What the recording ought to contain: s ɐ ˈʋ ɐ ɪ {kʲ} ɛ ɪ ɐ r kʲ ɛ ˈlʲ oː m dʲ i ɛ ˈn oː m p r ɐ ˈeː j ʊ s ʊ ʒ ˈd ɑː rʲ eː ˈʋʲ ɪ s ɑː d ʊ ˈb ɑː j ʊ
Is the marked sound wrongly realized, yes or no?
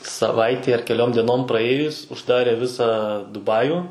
yes